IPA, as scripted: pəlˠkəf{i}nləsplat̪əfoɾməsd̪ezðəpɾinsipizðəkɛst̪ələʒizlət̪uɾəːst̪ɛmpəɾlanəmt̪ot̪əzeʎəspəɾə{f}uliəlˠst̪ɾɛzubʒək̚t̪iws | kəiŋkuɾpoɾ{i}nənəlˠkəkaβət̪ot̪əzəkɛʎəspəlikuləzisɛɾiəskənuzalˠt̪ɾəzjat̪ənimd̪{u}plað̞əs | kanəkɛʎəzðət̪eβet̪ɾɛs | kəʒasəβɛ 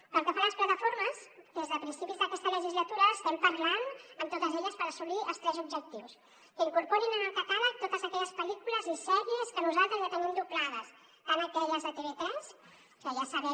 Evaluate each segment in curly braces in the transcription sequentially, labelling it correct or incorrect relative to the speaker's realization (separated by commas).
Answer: incorrect, incorrect, correct, correct